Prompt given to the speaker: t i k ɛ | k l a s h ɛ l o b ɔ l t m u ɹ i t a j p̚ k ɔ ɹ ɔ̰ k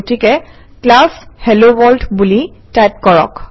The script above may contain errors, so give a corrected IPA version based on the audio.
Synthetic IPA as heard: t i k ɛ | k l a s h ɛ l o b ɔ l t b u l i t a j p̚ k ɔ ɹ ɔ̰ k